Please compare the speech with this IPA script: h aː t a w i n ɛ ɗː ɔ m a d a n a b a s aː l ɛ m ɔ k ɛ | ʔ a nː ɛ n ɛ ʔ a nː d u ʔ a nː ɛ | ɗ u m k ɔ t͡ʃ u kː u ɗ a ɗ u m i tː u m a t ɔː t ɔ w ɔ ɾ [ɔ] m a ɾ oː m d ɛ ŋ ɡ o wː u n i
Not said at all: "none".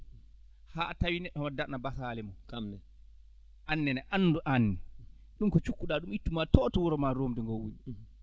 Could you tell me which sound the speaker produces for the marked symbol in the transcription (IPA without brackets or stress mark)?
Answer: ɔ